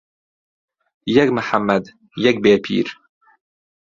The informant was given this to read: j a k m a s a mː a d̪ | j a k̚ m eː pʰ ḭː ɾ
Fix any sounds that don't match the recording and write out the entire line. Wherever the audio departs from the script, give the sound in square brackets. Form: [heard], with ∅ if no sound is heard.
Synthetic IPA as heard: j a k m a [ħ] a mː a d̪ | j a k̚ [b] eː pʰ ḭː ɾ